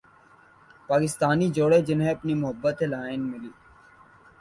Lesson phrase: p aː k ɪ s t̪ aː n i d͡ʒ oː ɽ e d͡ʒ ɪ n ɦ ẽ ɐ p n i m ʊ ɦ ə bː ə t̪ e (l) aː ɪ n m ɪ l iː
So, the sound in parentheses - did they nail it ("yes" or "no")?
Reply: yes